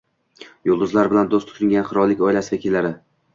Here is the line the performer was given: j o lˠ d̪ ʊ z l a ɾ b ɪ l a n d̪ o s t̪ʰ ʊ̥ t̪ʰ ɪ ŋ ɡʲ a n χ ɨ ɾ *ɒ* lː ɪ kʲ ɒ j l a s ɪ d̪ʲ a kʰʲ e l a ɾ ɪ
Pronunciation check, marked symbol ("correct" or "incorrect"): correct